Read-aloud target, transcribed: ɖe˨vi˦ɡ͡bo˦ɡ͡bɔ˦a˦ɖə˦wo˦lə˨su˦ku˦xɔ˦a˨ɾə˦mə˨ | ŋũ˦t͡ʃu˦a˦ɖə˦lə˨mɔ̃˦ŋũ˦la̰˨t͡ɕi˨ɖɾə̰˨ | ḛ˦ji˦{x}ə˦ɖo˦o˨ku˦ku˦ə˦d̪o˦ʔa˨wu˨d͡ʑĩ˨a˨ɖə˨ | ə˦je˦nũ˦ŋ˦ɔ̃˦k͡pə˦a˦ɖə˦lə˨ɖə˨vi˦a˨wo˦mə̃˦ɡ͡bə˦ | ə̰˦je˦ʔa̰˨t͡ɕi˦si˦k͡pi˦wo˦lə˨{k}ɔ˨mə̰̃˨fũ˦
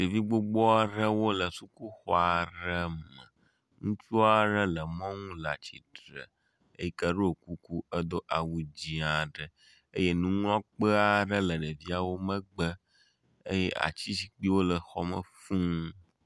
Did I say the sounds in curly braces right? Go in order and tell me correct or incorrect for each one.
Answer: incorrect: k, incorrect: x

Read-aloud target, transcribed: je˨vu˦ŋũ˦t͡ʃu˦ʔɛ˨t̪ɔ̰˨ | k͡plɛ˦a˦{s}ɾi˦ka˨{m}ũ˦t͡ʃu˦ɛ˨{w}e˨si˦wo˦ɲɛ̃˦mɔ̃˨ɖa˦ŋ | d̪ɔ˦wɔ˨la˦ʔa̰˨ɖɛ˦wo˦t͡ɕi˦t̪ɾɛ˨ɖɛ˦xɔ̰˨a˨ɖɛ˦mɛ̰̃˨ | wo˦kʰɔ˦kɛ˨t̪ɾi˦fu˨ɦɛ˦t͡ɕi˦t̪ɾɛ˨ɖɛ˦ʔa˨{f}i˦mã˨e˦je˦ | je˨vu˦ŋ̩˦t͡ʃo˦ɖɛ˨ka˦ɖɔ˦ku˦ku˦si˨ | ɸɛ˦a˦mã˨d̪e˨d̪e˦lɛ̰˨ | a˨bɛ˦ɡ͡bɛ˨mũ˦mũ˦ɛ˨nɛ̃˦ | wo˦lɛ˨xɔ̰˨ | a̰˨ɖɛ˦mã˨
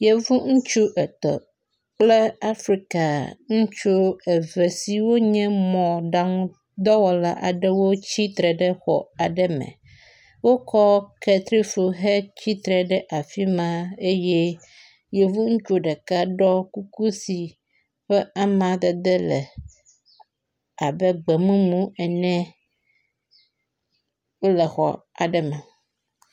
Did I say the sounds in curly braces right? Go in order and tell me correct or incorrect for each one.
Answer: incorrect: f, incorrect: ŋ, incorrect: v, correct

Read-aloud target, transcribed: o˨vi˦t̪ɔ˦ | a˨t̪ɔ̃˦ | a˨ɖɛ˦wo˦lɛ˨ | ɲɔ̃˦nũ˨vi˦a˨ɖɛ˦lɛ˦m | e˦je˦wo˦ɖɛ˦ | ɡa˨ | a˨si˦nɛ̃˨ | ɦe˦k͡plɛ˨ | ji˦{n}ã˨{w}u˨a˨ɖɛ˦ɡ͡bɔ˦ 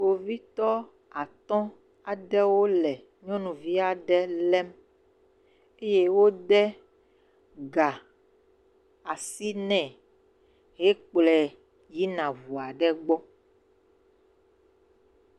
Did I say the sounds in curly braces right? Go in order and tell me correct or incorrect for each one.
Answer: correct, incorrect: v

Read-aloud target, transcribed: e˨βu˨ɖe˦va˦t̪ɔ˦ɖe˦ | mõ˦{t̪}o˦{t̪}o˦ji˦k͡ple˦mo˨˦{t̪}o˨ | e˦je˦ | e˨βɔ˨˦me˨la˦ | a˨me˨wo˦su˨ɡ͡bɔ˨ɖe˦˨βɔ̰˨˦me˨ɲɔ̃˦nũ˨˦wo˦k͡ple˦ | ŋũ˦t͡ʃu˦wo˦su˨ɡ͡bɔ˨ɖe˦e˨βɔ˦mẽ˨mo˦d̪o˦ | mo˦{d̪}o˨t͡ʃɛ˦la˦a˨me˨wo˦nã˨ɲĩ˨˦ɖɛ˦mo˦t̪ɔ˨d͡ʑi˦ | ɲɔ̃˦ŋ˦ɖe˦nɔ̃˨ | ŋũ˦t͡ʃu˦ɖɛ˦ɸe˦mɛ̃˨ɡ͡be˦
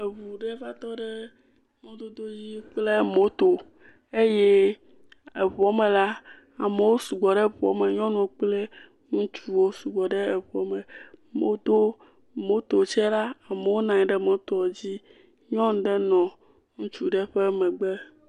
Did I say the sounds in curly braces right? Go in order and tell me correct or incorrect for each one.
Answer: incorrect: d̪, incorrect: d̪, correct, incorrect: t̪

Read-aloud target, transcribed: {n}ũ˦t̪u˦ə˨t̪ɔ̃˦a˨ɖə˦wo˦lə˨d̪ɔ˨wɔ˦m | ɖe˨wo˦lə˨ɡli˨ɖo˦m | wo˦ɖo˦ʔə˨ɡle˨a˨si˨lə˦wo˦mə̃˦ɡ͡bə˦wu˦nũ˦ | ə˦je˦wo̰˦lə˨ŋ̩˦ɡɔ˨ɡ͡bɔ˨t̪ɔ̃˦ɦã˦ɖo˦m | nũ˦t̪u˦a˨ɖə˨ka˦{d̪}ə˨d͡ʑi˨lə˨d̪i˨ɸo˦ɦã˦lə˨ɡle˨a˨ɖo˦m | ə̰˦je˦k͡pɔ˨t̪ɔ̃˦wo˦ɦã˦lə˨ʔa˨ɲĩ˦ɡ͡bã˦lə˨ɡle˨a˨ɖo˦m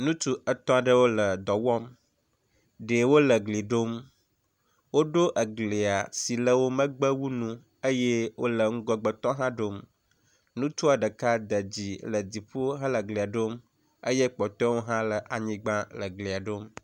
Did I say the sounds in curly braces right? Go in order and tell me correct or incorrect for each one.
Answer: correct, correct

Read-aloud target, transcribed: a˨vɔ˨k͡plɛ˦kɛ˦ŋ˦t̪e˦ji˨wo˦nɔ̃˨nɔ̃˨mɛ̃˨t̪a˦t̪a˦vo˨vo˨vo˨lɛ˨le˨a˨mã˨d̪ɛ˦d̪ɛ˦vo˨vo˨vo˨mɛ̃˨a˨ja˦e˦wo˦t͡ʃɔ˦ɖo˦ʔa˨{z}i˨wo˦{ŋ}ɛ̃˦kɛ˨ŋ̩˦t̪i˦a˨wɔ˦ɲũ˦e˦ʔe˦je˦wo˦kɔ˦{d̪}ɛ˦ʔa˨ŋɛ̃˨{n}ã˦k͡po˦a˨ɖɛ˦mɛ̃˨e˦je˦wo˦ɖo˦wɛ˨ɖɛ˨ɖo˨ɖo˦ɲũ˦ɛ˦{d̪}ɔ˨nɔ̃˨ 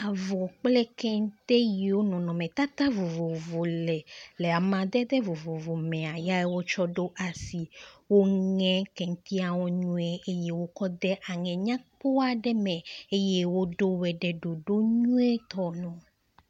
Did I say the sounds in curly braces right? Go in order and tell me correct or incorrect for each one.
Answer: incorrect: s, correct, correct, incorrect: ɲ, incorrect: t̪

